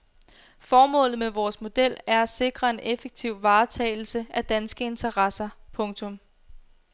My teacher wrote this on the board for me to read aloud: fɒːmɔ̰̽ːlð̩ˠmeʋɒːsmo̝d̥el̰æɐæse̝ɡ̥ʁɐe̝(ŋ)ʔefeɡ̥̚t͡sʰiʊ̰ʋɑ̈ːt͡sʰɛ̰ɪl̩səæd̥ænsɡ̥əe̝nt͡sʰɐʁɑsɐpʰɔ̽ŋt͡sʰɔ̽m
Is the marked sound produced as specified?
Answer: no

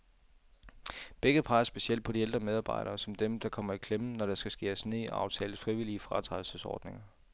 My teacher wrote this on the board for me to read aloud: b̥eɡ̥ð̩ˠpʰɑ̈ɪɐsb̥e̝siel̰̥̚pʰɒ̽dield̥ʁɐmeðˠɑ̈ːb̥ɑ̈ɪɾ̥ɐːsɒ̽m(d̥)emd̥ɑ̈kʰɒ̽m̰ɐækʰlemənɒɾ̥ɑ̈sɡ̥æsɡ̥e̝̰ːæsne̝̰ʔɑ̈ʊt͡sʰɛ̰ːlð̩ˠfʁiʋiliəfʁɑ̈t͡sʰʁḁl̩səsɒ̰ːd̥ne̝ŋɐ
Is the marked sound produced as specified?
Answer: yes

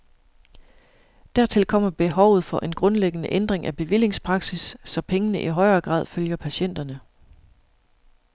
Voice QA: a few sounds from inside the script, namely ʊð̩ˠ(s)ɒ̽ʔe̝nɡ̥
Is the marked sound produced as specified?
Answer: no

